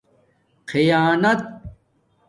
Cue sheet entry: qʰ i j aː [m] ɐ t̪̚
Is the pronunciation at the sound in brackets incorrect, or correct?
incorrect